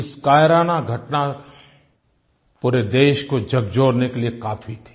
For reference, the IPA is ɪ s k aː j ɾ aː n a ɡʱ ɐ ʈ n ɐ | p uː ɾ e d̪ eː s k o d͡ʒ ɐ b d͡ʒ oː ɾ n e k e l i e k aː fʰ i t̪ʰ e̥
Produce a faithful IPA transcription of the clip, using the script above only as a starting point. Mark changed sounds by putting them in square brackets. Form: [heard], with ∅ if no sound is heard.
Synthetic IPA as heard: ɪ s k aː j ɾ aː n a ɡʱ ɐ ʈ n [a] | p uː ɾ e d̪ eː [ʃ] k o d͡ʒ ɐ [ɡ] d͡ʒ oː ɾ n e k e l i e k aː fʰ i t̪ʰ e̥